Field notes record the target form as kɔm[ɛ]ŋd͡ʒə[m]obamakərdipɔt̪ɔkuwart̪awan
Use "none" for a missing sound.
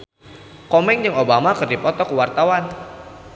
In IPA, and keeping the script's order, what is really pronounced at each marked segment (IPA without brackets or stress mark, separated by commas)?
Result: ɛ, ŋ